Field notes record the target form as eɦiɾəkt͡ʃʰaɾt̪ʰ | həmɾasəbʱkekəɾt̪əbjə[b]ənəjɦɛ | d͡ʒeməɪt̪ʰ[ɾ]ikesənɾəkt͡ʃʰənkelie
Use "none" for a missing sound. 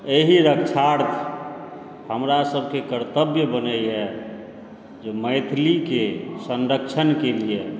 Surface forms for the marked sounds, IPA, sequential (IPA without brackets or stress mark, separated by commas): b, l